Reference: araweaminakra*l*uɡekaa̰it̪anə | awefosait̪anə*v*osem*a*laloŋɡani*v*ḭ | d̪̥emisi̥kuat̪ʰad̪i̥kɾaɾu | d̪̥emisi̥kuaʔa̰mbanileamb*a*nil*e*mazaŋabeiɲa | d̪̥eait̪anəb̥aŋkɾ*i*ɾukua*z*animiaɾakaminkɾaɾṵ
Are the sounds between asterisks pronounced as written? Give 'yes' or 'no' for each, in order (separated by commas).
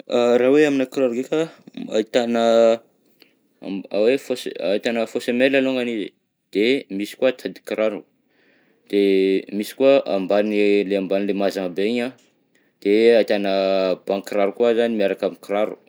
no, no, no, no, yes, yes, no, yes